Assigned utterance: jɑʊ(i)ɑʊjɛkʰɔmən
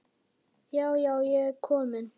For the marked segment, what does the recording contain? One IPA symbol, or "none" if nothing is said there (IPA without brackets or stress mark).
j